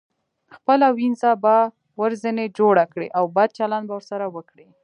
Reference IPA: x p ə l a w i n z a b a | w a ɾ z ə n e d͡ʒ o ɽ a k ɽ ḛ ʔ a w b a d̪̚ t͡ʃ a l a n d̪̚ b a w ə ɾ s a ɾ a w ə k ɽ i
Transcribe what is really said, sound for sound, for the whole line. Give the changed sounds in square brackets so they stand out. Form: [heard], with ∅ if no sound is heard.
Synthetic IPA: x p ə l a w i n z a b a | w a ɾ z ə n e d͡ʒ o ɽ a k ɽ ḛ ʔ a w b a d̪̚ t͡ʃ a l a n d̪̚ b a w ə ɾ s a ɾ a w ə k ɽ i